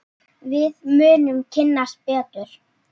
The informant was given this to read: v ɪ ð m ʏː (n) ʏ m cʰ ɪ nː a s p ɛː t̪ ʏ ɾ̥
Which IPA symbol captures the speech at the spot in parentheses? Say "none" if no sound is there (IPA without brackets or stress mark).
n